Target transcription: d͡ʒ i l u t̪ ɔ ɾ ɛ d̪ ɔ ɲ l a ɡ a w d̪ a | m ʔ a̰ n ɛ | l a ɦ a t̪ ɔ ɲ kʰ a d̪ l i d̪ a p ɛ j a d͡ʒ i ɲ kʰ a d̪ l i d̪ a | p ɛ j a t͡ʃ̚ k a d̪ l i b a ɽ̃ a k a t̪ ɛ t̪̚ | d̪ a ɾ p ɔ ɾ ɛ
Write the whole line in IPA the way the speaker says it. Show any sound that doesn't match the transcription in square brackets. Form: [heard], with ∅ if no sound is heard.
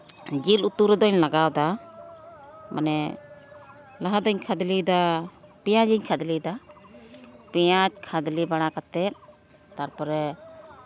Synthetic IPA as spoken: d͡ʒ i l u t̪ [u] ɾ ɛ d̪ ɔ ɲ l a ɡ a w d̪ a | m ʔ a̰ n ɛ | l a ɦ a [d̪] ɔ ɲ kʰ a d̪ l i d̪ a p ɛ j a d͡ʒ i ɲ kʰ a d̪ l i d̪ a | p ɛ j a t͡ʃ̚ [kʰ] a d̪ l i b a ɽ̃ a k a t̪ ɛ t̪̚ | [t̪] a ɾ p ɔ ɾ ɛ